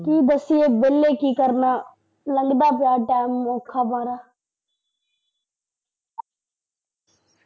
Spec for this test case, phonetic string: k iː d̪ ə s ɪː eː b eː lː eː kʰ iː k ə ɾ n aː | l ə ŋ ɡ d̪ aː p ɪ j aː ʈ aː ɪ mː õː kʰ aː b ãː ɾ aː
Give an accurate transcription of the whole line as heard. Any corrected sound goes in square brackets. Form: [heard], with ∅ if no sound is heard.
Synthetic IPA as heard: k iː d̪ ə s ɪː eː b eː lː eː [k] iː k ə ɾ n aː | l ə ŋ ɡ d̪ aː p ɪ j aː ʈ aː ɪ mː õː kʰ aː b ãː ɾ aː

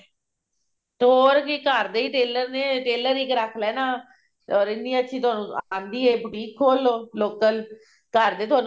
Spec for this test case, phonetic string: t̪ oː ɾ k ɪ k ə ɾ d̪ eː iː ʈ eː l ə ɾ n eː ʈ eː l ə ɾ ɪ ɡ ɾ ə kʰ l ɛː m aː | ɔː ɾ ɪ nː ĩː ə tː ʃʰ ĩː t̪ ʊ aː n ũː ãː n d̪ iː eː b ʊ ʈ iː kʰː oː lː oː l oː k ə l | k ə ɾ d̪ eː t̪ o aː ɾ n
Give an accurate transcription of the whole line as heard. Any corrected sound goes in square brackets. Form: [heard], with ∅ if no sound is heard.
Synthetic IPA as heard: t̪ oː ɾ k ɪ k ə ɾ d̪ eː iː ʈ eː l ə ɾ n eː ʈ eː l ə ɾ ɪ [k] ɾ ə kʰ l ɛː [n] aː | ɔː ɾ ɪ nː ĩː ə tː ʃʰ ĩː t̪ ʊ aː n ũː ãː n d̪ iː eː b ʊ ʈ iː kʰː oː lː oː l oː k ə l | k ə ɾ d̪ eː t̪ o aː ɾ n

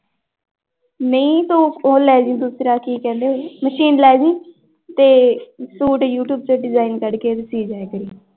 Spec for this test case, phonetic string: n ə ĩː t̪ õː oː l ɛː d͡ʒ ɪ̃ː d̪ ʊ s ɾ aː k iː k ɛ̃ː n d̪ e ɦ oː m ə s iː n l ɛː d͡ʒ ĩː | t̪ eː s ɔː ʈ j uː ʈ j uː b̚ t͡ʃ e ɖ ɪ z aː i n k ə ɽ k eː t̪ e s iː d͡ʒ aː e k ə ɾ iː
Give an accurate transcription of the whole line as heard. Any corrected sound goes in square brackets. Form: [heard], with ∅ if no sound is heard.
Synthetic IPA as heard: n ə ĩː t̪ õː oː l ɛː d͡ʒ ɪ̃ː d̪ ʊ s ɾ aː k iː k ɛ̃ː n d̪ e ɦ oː m ə [ʃ] iː n l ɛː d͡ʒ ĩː | t̪ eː s [uː] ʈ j uː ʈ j uː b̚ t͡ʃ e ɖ ɪ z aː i n k ə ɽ k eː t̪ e s iː d͡ʒ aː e k ə ɾ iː

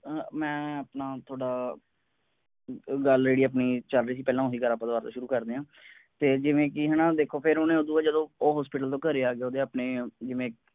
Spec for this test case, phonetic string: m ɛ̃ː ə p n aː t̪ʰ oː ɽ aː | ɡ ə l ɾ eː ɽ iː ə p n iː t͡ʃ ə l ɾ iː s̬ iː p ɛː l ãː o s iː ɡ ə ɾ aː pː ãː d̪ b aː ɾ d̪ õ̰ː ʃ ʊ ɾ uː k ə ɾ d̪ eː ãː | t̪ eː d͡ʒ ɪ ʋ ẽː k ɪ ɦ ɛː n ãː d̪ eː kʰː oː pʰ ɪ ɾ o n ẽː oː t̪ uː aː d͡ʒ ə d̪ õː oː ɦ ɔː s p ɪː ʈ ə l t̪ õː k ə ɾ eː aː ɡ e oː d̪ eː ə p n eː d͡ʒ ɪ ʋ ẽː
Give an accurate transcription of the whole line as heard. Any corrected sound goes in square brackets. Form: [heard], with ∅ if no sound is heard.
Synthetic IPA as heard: m ɛ̃ː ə p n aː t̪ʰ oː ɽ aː | ɡ ə l ɾ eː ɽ iː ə p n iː t͡ʃ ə l ɾ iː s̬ iː p ɛː l ãː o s iː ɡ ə ɾ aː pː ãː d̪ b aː ɾ [t̪] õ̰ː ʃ ʊ ɾ uː k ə ɾ d̪ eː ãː | t̪ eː d͡ʒ ɪ ʋ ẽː k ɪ ɦ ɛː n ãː d̪ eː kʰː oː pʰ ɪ ɾ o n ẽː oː [d̪] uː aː d͡ʒ ə d̪ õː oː ɦ ɔː s p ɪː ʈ ə l t̪ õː k ə ɾ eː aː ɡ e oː d̪ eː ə p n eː d͡ʒ ɪ ʋ ẽː

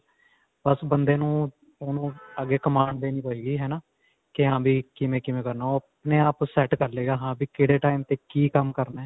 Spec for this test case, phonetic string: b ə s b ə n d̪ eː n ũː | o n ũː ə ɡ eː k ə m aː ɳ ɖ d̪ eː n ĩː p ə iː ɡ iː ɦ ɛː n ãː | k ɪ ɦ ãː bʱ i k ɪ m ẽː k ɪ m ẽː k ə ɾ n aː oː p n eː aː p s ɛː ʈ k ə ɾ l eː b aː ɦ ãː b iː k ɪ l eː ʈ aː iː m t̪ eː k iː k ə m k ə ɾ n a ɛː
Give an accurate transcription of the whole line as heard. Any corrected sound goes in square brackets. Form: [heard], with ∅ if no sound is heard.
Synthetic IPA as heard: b ə s b ə n d̪ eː n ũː | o n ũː ə ɡ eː k ə m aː ɳ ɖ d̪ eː n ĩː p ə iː ɡ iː ɦ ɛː n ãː | k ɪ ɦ ãː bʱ [iː] k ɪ m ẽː k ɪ m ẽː k ə ɾ n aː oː p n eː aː p s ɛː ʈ k ə ɾ l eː [ɡ] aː ɦ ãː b iː k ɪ [ɽ] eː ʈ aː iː m t̪ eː k iː k ə m k ə ɾ n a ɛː

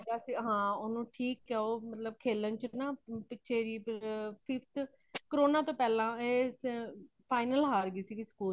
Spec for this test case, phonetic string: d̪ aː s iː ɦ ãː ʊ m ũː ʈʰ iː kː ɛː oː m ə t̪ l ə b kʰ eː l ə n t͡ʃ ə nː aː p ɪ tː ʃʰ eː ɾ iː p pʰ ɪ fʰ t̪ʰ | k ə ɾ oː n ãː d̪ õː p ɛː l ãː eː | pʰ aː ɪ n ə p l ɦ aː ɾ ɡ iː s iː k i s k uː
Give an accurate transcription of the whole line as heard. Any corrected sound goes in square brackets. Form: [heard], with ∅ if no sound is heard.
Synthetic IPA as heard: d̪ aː s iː ɦ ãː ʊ [n] ũː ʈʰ iː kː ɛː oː m ə t̪ l ə b kʰ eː l ə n t͡ʃ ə [n] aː p ɪ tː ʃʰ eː ɾ iː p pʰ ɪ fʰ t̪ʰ | k ə ɾ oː n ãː [t̪] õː p ɛː l ãː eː | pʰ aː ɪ n ə [∅] l ɦ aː ɾ ɡ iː s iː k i s k uː

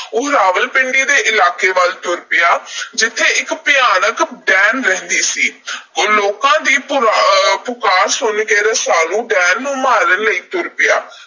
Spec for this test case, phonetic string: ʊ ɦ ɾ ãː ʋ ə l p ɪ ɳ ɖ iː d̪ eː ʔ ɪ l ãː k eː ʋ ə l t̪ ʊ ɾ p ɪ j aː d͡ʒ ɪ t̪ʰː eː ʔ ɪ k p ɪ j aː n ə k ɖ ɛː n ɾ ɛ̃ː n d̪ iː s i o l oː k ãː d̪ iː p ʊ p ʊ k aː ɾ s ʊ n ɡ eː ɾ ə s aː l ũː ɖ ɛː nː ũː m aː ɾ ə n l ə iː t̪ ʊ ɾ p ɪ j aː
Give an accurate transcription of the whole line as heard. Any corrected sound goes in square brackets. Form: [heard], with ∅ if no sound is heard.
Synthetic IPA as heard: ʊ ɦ ɾ [aː] ʋ ə l p ɪ ɳ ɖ iː d̪ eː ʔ ɪ l [aː] k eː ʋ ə l t̪ ʊ ɾ p ɪ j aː d͡ʒ ɪ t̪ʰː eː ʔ ɪ k p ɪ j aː n ə k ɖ ɛː n ɾ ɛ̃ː n d̪ iː s [iː] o l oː k ãː d̪ iː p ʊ p ʊ k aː ɾ s ʊ n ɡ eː ɾ ə s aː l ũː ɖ ɛː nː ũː m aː ɾ ə n l ə iː t̪ ʊ ɾ p ɪ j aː

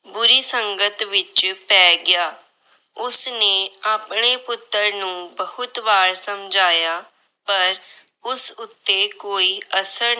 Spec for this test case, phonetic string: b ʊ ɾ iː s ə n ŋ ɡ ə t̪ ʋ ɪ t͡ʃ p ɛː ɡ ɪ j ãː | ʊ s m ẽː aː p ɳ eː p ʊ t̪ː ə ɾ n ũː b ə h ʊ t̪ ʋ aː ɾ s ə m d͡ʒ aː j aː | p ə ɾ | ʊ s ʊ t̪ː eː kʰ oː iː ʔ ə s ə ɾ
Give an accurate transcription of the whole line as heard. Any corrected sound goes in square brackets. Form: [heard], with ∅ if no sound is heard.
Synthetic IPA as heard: b ʊ ɾ iː s ə [∅] ŋ ɡ ə t̪ ʋ ɪ t͡ʃ p ɛː ɡ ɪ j [aː] | ʊ s [n] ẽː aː p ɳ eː p ʊ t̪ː ə ɾ n ũː b ə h ʊ t̪ ʋ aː ɾ s ə m d͡ʒ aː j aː | p ə ɾ | ʊ s ʊ t̪ː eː [k] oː iː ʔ ə s ə ɾ

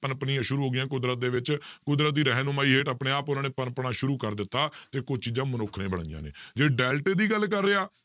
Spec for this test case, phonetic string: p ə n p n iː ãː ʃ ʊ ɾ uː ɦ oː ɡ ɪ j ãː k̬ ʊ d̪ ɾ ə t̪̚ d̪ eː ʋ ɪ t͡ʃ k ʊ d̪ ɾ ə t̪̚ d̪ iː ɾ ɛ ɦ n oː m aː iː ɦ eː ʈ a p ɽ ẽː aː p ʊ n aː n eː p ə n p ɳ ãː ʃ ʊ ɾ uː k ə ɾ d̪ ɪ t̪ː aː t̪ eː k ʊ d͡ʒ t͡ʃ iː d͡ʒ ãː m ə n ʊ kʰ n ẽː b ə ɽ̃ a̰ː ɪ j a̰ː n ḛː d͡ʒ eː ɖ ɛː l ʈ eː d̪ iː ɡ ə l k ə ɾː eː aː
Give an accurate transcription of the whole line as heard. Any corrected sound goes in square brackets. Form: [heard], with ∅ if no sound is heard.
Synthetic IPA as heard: p ə n p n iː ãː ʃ ʊ ɾ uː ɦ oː ɡ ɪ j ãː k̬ ʊ d̪ ɾ ə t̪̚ d̪ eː ʋ ɪ t͡ʃ k ʊ d̪ ɾ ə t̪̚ d̪ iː ɾ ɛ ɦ n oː m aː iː ɦ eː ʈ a p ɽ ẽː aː p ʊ n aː n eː p ə n p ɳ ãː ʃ ʊ ɾ uː k ə ɾ d̪ ɪ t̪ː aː t̪ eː k ʊ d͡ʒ t͡ʃ iː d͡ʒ ãː m ə n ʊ kʰ n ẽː b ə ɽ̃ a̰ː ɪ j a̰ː n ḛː d͡ʒ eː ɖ ɛː l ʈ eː d̪ iː ɡ ə l k ə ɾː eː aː

